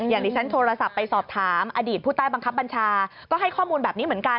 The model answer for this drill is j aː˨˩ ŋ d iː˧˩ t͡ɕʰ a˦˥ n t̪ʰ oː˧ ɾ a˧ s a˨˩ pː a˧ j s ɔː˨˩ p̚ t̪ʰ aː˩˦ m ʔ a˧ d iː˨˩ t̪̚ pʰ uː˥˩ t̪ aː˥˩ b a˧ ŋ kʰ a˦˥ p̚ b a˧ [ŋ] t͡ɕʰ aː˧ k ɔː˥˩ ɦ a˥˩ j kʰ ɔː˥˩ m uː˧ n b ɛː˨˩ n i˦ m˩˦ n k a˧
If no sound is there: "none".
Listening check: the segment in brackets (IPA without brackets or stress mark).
n